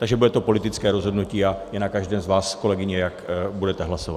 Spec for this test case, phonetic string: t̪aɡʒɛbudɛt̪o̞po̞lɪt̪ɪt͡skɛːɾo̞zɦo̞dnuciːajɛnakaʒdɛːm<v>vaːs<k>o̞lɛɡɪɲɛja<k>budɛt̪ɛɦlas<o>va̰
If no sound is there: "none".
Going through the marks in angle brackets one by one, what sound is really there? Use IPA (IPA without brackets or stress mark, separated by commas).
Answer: z, k, k, o